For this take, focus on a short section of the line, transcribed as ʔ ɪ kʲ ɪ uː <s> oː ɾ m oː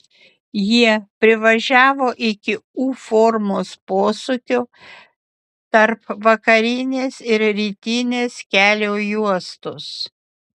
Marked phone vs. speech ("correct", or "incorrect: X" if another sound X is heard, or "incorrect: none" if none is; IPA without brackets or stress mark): incorrect: f